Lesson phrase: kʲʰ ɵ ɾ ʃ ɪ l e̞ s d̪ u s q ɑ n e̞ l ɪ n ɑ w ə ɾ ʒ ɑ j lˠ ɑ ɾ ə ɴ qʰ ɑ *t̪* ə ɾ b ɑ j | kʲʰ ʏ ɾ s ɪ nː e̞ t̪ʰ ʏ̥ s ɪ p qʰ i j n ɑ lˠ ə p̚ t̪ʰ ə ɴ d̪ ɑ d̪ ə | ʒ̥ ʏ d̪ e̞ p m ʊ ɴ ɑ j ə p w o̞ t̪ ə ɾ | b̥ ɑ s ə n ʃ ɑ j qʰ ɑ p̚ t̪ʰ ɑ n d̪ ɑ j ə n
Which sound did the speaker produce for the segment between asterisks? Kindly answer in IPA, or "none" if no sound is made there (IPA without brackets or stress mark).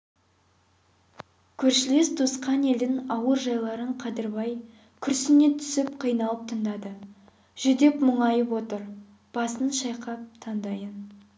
d̪